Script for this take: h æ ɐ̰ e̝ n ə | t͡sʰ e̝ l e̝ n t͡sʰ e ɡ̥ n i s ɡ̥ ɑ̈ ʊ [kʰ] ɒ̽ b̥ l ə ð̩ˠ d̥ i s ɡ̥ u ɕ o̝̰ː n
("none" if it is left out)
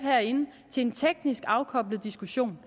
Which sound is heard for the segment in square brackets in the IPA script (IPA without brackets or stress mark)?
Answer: kʰ